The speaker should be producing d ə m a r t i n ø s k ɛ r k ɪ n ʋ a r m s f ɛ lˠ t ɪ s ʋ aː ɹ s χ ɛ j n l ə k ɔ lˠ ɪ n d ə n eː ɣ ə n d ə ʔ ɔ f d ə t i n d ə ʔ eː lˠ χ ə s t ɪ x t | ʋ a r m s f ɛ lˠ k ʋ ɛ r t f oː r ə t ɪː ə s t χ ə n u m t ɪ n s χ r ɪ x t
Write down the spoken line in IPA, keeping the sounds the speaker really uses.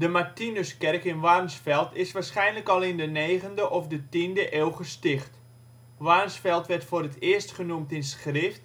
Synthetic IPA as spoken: d ə m a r t i n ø s k ɛ r k ɪ n ʋ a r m s f ɛ lˠ t ɪ s ʋ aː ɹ s χ ɛ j n l ə k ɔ lˠ ɪ n d ə n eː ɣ ə n d ə ʔ ɔ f d ə t i n d ə ʔ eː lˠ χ ə s t ɪ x t | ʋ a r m s f ɛ lˠ t ʋ ɛ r t f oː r ə t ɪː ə s t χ ə n u m t ɪ n s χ r ɪ f t